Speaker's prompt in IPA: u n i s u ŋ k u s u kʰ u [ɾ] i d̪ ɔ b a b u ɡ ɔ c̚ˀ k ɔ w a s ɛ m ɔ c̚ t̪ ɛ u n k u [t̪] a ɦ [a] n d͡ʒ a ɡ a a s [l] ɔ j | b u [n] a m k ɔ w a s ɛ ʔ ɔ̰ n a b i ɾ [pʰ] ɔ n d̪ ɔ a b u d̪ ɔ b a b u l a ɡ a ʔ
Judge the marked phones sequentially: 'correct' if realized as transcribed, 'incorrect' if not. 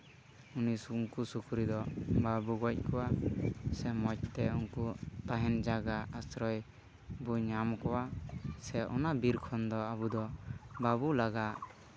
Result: correct, correct, incorrect, incorrect, incorrect, incorrect

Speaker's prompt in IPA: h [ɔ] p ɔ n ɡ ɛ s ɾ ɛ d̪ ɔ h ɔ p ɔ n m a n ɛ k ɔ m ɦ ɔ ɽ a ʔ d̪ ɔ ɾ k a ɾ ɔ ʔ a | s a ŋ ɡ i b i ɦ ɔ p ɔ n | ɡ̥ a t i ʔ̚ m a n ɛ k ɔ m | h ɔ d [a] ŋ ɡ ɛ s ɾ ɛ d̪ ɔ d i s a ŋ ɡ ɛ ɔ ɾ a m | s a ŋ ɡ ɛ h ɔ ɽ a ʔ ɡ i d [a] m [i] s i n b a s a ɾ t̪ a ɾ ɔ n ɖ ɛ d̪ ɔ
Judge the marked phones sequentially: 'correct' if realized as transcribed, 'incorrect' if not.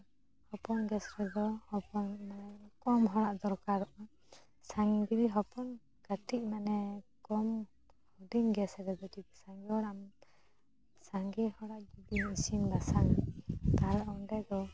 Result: correct, incorrect, incorrect, correct

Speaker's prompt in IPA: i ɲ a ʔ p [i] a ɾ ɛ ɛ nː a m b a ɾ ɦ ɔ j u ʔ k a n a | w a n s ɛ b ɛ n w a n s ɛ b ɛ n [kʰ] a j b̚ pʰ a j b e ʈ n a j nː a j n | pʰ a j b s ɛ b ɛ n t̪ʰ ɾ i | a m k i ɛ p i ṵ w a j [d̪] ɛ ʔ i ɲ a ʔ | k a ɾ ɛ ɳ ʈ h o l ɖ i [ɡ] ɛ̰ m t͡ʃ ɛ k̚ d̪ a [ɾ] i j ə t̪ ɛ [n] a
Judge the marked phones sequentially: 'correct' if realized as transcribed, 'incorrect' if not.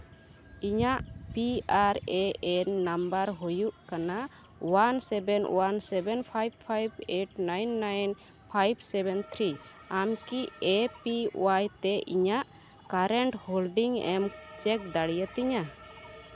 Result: correct, incorrect, incorrect, incorrect, incorrect, incorrect

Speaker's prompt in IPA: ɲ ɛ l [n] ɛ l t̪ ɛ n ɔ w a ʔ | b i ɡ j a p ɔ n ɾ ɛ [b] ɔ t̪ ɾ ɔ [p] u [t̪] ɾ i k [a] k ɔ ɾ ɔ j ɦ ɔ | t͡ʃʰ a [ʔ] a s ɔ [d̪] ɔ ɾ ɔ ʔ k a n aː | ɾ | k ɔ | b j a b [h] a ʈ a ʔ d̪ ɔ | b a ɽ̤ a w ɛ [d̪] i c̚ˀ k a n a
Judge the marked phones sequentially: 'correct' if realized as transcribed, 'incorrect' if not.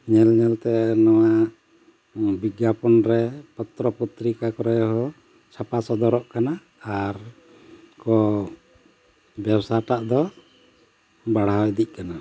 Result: incorrect, incorrect, correct, correct, correct, incorrect, correct, incorrect, correct

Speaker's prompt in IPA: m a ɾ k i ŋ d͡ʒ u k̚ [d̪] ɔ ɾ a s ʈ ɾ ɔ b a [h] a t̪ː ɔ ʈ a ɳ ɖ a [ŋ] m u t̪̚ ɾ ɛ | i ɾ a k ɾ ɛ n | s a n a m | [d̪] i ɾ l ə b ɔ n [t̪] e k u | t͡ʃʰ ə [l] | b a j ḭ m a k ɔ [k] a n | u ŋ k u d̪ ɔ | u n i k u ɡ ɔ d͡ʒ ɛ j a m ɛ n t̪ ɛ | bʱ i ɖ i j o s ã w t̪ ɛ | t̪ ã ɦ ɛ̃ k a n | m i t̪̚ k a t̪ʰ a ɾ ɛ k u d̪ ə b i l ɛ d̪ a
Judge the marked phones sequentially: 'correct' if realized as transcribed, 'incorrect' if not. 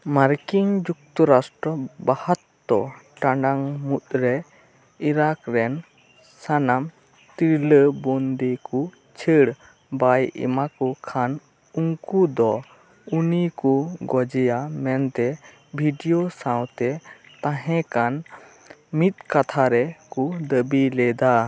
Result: incorrect, correct, correct, incorrect, incorrect, incorrect, incorrect

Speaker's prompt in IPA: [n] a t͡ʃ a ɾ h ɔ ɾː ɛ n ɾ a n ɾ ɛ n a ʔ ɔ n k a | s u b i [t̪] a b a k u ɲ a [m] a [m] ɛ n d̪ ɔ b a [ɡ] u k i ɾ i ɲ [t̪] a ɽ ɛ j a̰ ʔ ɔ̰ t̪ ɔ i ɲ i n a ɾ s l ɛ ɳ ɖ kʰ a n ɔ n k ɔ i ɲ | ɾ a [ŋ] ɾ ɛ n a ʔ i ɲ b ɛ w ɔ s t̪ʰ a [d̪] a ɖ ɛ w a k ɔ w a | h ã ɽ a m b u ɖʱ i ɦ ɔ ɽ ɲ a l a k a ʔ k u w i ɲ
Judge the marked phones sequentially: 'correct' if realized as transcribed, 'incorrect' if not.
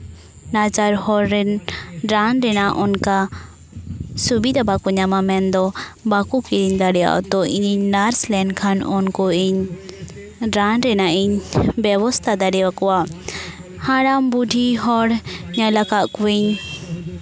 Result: correct, incorrect, correct, correct, incorrect, incorrect, incorrect, correct

